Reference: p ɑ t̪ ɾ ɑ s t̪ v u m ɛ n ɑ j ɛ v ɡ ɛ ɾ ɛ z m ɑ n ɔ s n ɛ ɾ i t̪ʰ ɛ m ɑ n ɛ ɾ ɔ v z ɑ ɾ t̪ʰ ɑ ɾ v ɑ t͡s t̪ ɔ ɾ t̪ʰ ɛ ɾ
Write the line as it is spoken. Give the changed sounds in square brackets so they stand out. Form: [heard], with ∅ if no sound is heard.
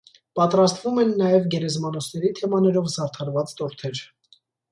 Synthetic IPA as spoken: p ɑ t̪ ɾ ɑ s t̪ v u m ɛ [nː] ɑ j ɛ v ɡ ɛ ɾ ɛ z m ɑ n ɔ s n ɛ ɾ i t̪ʰ ɛ m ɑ n ɛ ɾ ɔ v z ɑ ɾ t̪ʰ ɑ ɾ v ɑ t͡s t̪ ɔ ɾ t̪ʰ ɛ ɾ